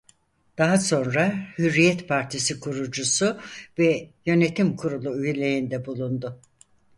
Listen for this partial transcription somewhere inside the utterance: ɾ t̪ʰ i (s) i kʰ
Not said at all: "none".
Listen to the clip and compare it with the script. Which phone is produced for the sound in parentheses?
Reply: s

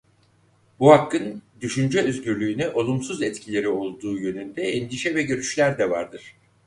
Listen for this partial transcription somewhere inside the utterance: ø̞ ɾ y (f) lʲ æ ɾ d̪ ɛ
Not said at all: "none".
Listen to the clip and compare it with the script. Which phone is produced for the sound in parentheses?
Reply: ʃ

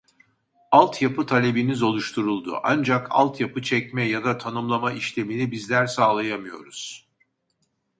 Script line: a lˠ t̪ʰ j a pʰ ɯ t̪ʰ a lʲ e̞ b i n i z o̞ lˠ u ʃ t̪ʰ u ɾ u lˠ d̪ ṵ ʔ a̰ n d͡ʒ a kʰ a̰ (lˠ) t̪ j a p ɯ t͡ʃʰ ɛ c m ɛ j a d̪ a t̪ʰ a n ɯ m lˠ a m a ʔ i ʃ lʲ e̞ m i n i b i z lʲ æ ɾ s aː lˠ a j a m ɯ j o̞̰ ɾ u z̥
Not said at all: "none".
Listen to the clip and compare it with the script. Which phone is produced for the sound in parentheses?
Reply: lˠ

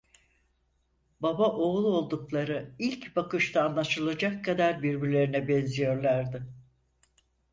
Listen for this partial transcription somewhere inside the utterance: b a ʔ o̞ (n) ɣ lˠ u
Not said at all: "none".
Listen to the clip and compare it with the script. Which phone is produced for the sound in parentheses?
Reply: none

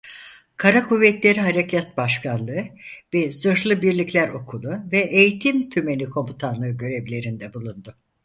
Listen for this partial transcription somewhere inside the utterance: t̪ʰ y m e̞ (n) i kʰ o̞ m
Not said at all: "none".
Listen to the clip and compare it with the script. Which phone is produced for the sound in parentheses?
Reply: n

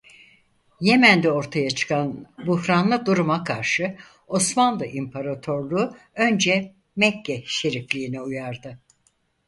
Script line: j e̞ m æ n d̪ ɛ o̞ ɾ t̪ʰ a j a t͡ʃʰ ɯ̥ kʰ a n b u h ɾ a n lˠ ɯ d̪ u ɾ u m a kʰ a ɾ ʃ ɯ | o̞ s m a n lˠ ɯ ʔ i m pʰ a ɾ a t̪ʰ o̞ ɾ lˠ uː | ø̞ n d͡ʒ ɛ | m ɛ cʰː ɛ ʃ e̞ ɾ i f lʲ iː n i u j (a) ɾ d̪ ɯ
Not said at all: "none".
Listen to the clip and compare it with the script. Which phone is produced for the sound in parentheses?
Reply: a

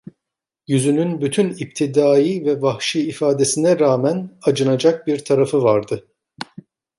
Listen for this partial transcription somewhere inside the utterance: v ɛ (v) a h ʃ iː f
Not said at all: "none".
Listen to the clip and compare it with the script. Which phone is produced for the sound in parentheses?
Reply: v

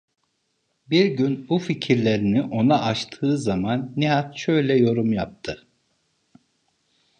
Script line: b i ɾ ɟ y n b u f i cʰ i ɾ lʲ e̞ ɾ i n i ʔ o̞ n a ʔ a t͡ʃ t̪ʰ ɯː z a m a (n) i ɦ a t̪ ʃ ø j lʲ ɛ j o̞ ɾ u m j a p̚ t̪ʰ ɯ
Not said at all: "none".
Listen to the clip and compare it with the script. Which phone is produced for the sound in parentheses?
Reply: nː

